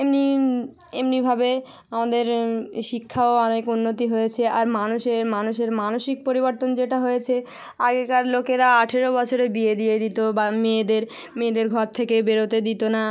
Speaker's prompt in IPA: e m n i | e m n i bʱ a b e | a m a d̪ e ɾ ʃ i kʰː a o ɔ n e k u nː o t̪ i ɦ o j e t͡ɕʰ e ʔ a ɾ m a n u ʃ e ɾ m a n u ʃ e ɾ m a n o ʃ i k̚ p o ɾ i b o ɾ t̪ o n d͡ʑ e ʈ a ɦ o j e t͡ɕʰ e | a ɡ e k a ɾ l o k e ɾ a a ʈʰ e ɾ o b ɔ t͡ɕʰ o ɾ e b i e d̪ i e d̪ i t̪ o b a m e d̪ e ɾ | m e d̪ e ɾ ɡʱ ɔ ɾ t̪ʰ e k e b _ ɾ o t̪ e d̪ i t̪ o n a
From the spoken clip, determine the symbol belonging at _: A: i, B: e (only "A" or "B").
B